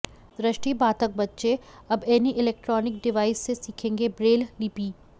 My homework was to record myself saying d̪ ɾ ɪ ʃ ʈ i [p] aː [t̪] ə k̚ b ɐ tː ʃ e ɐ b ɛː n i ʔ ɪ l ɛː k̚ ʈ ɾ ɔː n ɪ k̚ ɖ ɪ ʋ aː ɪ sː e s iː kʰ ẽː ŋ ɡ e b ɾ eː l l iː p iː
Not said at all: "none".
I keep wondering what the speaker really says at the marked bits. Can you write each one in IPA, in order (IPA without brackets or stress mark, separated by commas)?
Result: b, t̪